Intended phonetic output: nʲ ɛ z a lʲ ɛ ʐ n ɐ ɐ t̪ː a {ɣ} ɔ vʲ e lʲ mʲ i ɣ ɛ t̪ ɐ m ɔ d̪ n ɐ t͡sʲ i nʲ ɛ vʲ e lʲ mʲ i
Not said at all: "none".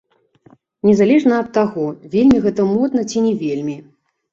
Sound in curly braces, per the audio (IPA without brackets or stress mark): ɣ